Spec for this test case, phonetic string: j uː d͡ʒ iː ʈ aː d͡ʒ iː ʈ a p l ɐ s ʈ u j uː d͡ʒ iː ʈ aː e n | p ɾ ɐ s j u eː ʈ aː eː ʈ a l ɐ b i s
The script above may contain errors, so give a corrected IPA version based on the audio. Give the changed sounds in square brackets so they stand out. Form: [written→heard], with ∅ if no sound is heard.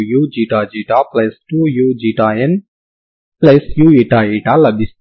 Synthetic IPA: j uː d͡ʒ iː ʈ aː d͡ʒ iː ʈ a p l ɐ s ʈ u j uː d͡ʒ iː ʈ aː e n | p [ɾ→l] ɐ s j u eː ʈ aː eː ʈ a l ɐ b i s